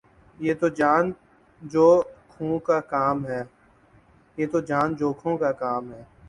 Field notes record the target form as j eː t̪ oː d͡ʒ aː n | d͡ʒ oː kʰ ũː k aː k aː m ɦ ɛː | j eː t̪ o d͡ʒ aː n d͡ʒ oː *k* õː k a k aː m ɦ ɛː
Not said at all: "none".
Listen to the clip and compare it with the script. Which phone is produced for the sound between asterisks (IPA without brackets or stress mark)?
kʰ